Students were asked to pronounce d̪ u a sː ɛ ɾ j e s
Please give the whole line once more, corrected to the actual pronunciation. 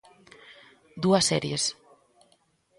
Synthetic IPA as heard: d̪ u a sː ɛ ɾ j e s